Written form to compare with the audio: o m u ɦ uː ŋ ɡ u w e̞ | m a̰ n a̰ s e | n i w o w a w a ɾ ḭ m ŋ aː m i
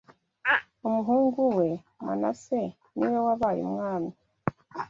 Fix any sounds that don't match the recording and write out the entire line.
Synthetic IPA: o m u ɦ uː ŋ ɡ u w e̞ | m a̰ n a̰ s e | n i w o w a β a ɾ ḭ m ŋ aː m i